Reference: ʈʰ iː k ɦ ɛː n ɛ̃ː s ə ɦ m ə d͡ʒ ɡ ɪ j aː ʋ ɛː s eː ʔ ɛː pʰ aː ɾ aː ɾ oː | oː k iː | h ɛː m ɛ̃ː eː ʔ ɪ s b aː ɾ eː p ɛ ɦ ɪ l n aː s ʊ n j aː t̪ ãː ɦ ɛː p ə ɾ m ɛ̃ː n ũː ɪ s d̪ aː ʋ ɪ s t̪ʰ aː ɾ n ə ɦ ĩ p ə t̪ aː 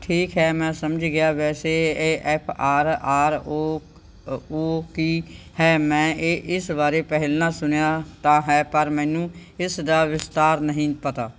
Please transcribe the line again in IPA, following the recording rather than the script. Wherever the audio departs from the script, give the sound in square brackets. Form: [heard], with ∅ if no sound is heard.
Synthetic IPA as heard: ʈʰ iː k ɦ ɛː [m] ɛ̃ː s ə [∅] m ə d͡ʒ ɡ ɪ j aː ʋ ɛː s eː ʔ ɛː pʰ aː ɾ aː ɾ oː | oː k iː | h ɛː m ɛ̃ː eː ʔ ɪ s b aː ɾ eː p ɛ ɦ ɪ l n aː s ʊ n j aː t̪ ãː ɦ ɛː p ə ɾ m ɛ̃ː n ũː ɪ s d̪ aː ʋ ɪ s [t̪] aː ɾ n ə ɦ ĩ p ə t̪ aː